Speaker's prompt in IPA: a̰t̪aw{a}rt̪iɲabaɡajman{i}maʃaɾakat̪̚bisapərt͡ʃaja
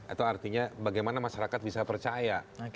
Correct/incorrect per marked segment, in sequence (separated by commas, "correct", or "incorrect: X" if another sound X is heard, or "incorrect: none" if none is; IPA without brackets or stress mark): correct, incorrect: a